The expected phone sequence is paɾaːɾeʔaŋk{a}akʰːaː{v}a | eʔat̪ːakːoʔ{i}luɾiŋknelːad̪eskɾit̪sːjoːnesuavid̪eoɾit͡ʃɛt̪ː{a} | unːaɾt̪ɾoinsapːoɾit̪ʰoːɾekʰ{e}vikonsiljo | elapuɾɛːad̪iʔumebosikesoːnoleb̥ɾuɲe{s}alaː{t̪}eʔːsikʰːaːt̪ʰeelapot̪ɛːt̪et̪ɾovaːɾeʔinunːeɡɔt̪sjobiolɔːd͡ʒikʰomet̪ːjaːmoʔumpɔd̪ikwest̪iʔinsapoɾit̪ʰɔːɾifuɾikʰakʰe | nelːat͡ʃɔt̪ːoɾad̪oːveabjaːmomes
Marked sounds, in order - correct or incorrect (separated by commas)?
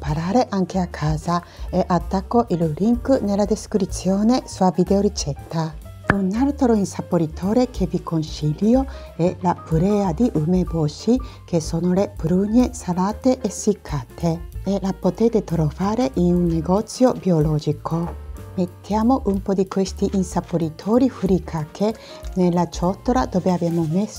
incorrect, incorrect, correct, correct, correct, correct, correct